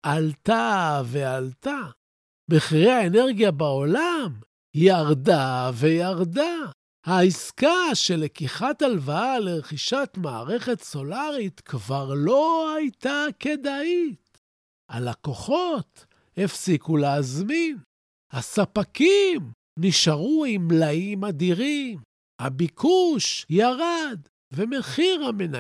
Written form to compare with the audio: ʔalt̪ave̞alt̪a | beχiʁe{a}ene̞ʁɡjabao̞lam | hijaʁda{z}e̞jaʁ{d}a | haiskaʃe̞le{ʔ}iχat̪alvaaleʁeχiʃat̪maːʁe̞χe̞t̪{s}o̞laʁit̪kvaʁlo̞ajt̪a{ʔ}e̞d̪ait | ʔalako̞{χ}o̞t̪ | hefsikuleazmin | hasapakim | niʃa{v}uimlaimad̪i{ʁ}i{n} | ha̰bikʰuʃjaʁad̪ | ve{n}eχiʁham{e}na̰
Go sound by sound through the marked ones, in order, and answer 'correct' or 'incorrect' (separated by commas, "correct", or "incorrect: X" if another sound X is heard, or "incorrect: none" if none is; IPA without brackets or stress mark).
correct, incorrect: v, correct, incorrect: k, correct, incorrect: k, correct, incorrect: ʁ, correct, incorrect: m, incorrect: m, correct